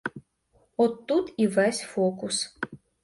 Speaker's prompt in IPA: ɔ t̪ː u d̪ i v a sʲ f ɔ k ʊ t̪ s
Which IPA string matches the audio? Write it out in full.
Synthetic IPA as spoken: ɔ t̪ː u t̪ i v ɛ sʲ f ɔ k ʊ s